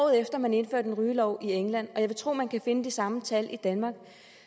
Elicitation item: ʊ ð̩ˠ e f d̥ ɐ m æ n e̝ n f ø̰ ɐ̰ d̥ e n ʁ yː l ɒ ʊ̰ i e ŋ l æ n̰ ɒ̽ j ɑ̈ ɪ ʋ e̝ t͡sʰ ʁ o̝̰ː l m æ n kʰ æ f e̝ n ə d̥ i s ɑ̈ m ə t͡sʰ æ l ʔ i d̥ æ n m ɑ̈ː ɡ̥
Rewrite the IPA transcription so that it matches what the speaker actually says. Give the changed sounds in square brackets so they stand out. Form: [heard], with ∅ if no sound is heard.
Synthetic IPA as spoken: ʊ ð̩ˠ e f d̥ ɐ m æ n e̝ n f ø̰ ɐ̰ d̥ e n ʁ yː l ɒ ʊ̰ i e ŋ l æ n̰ ɒ̽ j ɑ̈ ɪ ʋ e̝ t͡sʰ ʁ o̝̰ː [∅] m æ n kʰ æ f e̝ n ə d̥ i s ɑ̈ m ə t͡sʰ æ l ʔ i d̥ æ n m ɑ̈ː ɡ̥